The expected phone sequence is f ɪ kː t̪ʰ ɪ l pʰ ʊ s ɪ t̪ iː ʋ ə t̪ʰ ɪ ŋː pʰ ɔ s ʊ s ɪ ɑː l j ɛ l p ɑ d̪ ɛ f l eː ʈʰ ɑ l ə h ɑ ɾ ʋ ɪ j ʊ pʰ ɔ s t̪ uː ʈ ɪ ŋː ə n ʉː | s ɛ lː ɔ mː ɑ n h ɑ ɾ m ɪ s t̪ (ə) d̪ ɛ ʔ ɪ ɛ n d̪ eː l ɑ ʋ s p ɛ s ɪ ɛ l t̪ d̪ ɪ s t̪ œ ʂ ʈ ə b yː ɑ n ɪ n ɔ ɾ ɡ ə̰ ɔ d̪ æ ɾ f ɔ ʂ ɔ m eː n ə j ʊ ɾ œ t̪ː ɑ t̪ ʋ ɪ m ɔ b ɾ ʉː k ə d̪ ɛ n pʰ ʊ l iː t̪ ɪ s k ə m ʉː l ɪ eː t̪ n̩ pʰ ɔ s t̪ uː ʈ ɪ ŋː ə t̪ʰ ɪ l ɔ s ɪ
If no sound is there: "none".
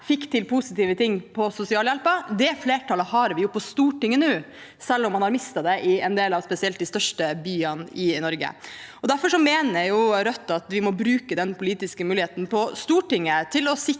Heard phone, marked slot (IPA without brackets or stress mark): ɑ